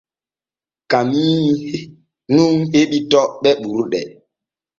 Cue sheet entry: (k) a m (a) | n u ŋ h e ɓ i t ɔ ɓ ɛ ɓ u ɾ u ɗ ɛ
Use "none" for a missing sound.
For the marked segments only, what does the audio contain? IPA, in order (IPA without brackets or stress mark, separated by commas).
k, i